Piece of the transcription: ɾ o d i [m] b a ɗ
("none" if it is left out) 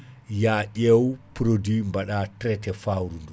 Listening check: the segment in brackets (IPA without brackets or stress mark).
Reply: m